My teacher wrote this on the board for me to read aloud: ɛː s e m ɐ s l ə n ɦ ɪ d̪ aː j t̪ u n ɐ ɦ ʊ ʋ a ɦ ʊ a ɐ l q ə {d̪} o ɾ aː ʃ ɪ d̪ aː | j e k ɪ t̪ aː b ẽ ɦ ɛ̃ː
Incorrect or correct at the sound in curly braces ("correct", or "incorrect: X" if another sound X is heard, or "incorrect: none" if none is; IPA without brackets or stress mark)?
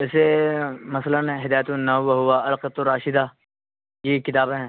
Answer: incorrect: t̪